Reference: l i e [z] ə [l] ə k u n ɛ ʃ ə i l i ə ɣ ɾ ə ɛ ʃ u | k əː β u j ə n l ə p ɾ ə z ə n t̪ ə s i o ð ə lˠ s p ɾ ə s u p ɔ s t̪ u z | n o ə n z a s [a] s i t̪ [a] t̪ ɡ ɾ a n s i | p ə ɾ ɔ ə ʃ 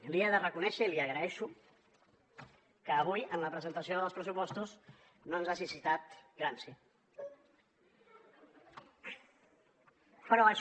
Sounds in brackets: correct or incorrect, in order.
incorrect: ð, incorrect: r, incorrect: i, correct

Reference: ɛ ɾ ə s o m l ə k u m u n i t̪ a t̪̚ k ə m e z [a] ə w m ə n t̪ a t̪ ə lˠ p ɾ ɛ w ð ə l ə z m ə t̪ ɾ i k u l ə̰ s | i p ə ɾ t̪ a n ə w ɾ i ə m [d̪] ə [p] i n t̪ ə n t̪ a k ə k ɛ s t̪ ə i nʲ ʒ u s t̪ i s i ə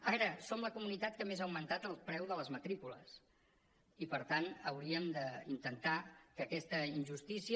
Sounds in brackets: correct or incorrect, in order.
correct, correct, incorrect: none

